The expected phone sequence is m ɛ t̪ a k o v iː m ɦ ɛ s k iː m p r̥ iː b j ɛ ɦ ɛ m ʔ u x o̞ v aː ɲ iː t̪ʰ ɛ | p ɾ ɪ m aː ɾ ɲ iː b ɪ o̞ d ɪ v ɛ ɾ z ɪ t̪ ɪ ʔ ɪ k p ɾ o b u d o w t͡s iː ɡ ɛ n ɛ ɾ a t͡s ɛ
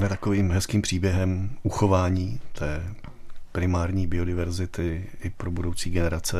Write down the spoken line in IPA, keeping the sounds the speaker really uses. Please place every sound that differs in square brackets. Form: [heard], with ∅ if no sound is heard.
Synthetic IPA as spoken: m ɛ t̪ a k o v iː m ɦ ɛ s k iː m p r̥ iː b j ɛ ɦ ɛ m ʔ u x o̞ v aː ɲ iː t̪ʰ [ɛː] | p ɾ ɪ m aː ɾ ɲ iː b ɪ o̞ d ɪ v ɛ ɾ z ɪ t̪ ɪ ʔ ɪ [∅] p ɾ o b u d o w t͡s iː ɡ ɛ n ɛ ɾ a t͡s ɛ